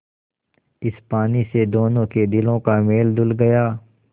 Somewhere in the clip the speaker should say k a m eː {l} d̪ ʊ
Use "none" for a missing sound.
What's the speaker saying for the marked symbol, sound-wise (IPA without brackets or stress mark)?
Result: l